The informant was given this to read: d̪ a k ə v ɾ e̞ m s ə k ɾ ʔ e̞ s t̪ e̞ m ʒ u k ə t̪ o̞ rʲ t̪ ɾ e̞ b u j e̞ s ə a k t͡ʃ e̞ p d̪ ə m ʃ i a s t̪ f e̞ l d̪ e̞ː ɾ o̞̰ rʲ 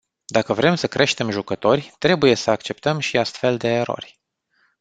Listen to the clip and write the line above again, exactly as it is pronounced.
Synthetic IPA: d̪ a k ə v ɾ e̞ m s ə k ɾ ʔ e̞ ʃ t̪ e̞ m ʒ u k ə t̪ o̞ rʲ t̪ ɾ e̞ b u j e̞ s ə a k t͡ʃ e̞ p t̪ ə m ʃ i a s t̪ f e̞ l d̪ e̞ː ɾ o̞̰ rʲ